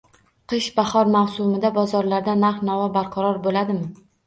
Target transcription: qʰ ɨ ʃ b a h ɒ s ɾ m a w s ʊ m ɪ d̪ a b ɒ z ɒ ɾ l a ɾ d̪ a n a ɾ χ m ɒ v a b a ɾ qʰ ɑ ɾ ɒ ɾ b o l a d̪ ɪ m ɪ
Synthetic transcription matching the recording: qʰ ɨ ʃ b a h ɒ ɾ m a w s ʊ m ɪ d̪ a b ɒ z ɒ ɾ l a ɾ d̪ a n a ɾ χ n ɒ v a b a ɾ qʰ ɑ ɾ ɒ ɾ b o l a d̪ ɪ m ɪ

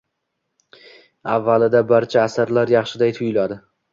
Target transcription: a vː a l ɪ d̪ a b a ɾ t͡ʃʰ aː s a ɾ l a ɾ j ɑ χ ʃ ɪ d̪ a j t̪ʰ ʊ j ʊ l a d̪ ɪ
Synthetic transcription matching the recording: a vː a l ɪ d̪ a b a ɾ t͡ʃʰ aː s a ɾ l a ɾ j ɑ χ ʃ ɪ d̪ a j t̪ʰ ʊ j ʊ l a d̪ ɪ

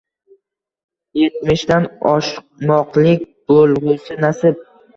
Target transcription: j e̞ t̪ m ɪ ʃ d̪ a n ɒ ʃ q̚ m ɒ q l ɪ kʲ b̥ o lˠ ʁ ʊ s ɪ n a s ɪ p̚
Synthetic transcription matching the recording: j e̞ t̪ m ɪ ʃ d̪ a n ɒ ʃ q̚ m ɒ q l ɪ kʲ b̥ o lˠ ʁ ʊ s ɪ n a s ɪ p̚

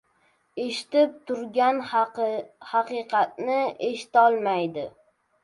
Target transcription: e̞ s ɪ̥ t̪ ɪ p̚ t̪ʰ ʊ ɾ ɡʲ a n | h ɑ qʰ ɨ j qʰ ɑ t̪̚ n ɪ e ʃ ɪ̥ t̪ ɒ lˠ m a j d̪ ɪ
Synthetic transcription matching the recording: e̞ ʃ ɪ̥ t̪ ɪ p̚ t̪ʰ ʊ ɾ ɡʲ a n | h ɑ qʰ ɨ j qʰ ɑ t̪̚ n ɪ e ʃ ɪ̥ t̪ ɒ lˠ m a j d̪ ɪ

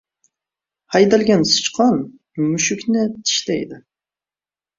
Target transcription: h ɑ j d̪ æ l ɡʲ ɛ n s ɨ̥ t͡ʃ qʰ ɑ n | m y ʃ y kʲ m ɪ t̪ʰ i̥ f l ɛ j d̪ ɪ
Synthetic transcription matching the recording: h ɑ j d̪ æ l ɡʲ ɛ n s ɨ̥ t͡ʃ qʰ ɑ n | m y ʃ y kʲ n ɪ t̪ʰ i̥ ʃ l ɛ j d̪ ɪ

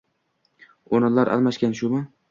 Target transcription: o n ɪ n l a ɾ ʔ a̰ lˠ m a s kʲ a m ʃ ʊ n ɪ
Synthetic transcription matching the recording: o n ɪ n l a ɾ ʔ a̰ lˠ m a ʃ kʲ a n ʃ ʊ m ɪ

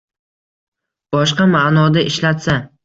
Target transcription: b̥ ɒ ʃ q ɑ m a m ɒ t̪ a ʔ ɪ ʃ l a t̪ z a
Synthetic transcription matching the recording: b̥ ɒ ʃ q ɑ m a n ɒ d̪ a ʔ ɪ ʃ l a t̪ s a

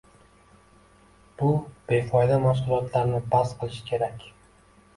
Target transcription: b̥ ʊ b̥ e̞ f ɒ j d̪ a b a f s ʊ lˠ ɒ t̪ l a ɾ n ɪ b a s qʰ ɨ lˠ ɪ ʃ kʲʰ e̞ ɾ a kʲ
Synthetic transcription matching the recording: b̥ ʊ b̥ e̞ f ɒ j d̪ a m a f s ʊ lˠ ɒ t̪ l a ɾ n ɪ b a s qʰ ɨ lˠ ɪ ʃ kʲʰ e̞ ɾ a kʲ

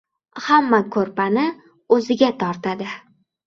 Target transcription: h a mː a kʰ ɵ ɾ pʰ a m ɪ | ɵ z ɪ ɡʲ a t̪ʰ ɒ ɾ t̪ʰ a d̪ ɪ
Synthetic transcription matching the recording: h a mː a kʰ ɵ ɾ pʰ a n ɪ | ɵ z ɪ ɡʲ a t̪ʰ ɒ ɾ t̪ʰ a d̪ ɪ

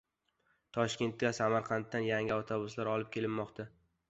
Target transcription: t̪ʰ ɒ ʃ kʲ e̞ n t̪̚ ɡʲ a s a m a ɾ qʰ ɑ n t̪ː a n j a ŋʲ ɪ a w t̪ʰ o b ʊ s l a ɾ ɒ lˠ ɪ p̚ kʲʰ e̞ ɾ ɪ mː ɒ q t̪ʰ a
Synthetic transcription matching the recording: t̪ʰ ɒ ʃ kʲ e̞ n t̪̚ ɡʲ a s a m a ɾ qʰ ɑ n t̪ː a n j a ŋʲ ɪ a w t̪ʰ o b ʊ s l a ɾ ɒ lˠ ɪ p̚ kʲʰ e̞ l ɪ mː ɒ q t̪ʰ a

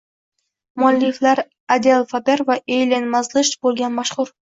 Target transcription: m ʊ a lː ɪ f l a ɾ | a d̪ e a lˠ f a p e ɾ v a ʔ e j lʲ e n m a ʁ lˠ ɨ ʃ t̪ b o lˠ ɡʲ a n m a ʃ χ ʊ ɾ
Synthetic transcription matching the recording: m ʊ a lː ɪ f l a ɾ | a d̪ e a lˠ f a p e ɾ v a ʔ e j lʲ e n m a z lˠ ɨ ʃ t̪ b o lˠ ɡʲ a n m a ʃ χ ʊ ɾ

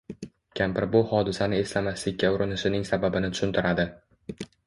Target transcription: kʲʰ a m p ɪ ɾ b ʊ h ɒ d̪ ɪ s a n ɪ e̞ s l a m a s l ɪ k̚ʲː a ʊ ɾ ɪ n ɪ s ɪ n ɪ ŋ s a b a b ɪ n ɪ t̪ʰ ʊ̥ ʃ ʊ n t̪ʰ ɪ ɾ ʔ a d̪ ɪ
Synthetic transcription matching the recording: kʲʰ a m p ɪ ɾ b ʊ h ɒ d̪ ɪ s a n ɪ e̞ s l a m a s l ɪ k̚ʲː a ʊ ɾ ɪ n ɪ ʃ ɪ n ɪ ŋ s a b a b ɪ n ɪ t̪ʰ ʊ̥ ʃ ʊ n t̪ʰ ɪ ɾ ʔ a d̪ ɪ

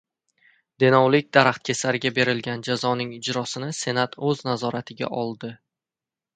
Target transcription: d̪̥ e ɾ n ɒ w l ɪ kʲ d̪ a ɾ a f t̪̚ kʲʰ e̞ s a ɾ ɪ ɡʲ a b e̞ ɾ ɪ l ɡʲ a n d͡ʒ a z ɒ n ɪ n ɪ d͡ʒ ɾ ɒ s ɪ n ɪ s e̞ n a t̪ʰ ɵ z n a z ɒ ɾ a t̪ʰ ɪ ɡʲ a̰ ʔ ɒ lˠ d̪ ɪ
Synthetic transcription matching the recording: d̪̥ e n ɒ w l ɪ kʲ d̪ a ɾ a χ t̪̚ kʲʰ e̞ s a ɾ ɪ ɡʲ a b e̞ ɾ ɪ l ɡʲ a n d͡ʒ a z ɒ n ɪ ŋ ɪ d͡ʒ ɾ ɒ s ɪ n ɪ s e̞ n a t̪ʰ ɵ z n a z ɒ ɾ a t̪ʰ ɪ ɡʲ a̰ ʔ ɒ lˠ d̪ ɪ

